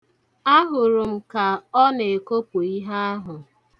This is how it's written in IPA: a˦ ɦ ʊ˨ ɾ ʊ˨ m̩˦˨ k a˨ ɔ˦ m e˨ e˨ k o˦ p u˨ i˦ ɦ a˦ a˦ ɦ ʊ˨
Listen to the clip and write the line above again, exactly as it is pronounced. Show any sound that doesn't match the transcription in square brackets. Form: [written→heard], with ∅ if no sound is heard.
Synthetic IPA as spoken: a˦ ɦ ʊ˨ ɾ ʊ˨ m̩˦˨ k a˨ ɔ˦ [m→n] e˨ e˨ k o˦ p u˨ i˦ ɦ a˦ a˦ ɦ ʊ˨